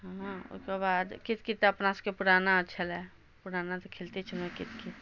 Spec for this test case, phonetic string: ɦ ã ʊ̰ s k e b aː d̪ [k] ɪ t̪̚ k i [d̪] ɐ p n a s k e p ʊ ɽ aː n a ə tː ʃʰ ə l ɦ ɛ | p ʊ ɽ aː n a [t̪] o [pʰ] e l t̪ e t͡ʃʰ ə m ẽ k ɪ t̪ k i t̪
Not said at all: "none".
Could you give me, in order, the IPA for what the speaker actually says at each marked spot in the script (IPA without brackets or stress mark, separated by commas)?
k, t̪, t̪, kʰ